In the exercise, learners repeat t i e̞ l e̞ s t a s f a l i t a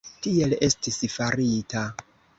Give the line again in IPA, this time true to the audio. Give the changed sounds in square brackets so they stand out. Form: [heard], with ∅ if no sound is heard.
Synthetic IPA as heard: t i e̞ l e̞ s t [i] s f a [ɾ] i t a